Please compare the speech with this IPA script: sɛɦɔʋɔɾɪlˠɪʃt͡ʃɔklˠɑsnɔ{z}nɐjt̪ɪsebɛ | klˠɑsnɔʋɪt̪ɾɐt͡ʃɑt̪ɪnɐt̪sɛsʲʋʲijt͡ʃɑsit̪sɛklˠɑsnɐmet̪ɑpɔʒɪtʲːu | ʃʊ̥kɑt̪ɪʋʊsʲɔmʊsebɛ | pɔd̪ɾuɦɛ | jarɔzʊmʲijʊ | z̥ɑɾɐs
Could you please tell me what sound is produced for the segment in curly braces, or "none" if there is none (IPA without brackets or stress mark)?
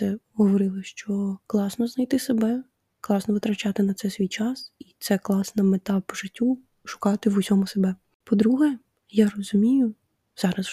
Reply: z